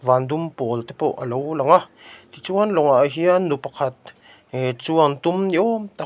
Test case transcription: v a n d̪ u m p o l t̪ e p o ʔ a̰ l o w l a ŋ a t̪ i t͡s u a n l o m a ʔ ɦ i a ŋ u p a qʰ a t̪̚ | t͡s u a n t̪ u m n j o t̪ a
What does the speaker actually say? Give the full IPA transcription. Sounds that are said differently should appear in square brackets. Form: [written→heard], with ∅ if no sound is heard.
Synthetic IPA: v a n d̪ u m p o l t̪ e p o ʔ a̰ l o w l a ŋ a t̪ i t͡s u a n l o [m→ŋ] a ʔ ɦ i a [ŋ→n] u p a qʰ a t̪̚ | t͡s u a n t̪ u m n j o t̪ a